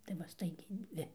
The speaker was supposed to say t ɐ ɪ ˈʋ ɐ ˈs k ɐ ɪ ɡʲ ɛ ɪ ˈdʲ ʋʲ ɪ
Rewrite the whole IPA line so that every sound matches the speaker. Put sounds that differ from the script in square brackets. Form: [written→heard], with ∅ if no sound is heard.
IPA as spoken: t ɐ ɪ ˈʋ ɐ ˈs [k→t] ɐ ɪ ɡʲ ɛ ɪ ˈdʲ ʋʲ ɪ